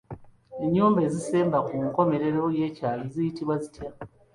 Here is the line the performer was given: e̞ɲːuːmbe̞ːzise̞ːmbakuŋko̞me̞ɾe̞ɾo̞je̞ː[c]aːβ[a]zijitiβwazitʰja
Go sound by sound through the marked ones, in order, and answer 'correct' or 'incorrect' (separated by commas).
correct, incorrect